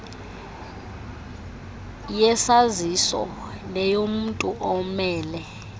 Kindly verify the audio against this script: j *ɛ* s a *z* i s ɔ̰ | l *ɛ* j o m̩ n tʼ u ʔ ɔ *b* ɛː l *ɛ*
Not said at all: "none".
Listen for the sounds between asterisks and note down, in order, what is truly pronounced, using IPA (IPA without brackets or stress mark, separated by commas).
ɛ, z, ɛ, m, ɛ